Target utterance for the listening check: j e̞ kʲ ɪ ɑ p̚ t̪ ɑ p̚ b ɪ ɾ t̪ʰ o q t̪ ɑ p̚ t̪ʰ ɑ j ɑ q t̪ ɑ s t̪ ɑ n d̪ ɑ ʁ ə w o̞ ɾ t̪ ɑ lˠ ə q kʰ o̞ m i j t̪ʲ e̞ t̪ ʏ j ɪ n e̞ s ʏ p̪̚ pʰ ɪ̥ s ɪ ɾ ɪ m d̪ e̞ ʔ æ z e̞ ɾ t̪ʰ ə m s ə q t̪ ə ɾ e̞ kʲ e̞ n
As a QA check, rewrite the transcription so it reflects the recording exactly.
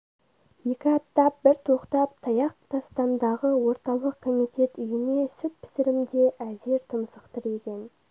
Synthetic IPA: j e̞ kʲ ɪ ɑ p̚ t̪ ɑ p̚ b ɪ ɾ t̪ʰ o q t̪ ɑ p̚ t̪ʰ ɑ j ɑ q t̪ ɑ s t̪ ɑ n d̪ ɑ ʁ ə w o̞ ɾ t̪ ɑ lˠ ə q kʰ o̞ m i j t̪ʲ e̞ t̪ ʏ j ɪ n e̞ s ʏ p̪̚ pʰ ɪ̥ s ɪ ɾ ɪ m d̪ e̞ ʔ æ z e̞ ɾ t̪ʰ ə m s ə q t̪ ə ɾ e̞ kʲ e̞ n